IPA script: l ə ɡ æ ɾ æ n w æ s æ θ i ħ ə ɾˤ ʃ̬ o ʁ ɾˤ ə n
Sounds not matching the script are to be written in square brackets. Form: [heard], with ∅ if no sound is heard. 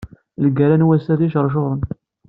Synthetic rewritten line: l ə ɡ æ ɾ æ n w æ s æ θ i [ʃ] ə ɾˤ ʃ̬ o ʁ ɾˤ ə n